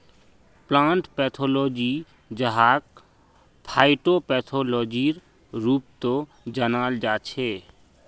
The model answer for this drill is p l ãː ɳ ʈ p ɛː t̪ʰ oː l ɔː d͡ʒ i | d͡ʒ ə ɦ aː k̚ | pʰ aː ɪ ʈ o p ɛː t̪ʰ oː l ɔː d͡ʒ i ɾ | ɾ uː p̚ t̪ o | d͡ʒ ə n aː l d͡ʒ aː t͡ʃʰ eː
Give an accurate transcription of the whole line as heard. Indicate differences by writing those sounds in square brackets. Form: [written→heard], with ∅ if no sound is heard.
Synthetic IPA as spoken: p l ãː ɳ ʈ p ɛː t̪ʰ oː l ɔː d͡ʒ i | d͡ʒ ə ɦ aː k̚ | pʰ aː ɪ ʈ o p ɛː t̪ʰ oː l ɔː d͡ʒ i ɾ | ɾ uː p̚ t̪ o | d͡ʒ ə n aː l d͡ʒ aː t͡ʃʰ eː